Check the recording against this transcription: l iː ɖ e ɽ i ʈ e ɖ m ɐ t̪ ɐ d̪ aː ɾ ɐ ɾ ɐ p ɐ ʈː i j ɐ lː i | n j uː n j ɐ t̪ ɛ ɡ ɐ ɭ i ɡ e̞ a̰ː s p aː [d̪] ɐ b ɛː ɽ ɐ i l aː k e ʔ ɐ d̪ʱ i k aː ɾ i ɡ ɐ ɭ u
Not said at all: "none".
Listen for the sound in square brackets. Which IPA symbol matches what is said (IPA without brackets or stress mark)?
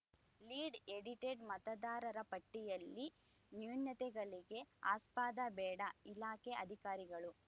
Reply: d̪